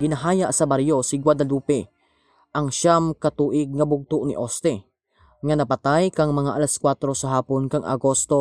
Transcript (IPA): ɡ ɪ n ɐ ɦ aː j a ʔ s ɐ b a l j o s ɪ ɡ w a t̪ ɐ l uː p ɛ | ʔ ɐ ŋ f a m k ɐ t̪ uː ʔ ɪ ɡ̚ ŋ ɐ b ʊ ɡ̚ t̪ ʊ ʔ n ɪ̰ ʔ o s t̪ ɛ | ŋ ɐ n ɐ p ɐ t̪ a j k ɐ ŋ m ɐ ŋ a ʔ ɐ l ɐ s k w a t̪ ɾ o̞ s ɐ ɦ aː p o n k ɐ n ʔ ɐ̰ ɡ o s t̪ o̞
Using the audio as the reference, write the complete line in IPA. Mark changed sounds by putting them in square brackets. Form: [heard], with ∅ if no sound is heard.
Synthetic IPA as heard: ɡ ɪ n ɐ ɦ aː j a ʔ s ɐ b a [ɾ] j o s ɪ ɡ w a [d̪] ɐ l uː p ɛ | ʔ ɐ ŋ [ʃ] a m k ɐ t̪ uː ʔ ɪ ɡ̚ ŋ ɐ b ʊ ɡ̚ t̪ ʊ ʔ n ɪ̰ ʔ o s t̪ ɛ | ŋ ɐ n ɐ p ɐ t̪ a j k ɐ ŋ m ɐ ŋ a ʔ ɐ l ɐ s k w a t̪ ɾ o̞ s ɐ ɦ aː p o n k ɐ [ŋ] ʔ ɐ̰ ɡ o s t̪ o̞